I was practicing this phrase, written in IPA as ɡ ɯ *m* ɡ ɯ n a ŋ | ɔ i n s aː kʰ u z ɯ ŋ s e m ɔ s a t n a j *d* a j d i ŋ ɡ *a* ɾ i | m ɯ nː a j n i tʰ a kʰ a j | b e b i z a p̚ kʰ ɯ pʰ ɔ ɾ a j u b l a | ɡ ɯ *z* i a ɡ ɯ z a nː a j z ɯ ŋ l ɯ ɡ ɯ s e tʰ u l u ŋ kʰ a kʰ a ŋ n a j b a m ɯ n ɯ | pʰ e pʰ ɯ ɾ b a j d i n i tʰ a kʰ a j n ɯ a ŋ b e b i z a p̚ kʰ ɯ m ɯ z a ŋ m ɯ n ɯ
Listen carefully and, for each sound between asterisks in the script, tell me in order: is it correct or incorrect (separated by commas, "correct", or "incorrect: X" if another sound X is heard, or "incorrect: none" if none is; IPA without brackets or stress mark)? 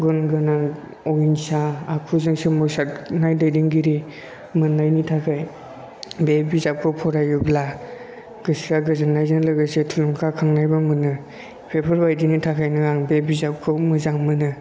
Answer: incorrect: n, correct, incorrect: i, incorrect: s